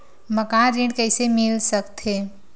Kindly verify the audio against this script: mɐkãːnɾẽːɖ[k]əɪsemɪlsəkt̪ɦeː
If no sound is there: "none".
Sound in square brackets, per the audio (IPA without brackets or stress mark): k